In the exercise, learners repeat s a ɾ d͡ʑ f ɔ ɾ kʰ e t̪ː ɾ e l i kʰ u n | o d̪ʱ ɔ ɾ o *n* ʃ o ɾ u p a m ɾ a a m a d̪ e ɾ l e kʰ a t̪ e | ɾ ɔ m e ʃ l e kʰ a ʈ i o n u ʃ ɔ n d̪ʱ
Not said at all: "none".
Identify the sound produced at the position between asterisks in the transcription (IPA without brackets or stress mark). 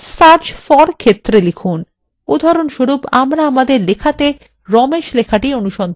n